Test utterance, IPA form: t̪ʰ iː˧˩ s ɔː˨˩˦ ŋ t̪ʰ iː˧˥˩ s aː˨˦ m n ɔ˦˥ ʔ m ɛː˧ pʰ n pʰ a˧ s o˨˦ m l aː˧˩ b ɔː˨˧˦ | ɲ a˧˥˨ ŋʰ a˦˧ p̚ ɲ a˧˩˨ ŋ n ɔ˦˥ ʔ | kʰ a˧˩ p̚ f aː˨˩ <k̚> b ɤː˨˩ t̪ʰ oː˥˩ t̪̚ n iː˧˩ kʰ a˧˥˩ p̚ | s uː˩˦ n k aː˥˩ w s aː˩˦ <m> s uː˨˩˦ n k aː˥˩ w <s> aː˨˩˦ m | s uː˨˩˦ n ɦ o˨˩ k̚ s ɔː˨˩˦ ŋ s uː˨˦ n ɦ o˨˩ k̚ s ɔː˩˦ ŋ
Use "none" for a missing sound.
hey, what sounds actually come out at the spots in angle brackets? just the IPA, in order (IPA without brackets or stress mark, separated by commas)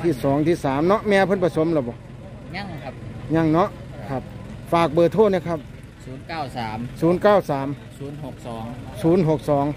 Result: k̚, m, s